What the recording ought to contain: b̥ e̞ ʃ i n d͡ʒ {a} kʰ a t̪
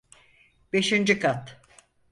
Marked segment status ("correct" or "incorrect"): incorrect